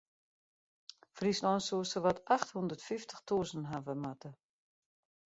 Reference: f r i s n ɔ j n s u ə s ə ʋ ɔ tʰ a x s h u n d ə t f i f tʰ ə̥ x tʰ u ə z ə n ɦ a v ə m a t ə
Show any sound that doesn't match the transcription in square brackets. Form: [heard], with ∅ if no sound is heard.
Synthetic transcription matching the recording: f r i s n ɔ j n s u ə s ə ʋ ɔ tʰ a x [t] h u n d ə t f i f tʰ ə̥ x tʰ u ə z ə n ɦ a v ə m a t ə